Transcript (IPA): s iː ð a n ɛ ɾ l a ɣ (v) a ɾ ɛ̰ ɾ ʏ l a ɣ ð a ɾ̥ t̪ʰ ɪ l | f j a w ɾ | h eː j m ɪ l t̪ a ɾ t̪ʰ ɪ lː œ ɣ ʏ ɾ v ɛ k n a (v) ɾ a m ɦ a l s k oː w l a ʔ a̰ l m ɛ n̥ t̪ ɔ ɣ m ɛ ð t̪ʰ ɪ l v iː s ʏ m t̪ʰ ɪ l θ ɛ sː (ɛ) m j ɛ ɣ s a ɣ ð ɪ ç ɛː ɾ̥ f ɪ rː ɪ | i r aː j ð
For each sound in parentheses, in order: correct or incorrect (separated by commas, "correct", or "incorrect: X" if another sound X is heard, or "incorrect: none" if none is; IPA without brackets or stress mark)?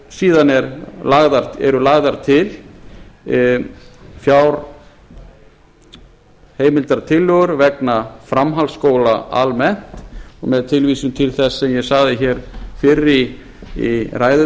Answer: incorrect: ð, incorrect: f, correct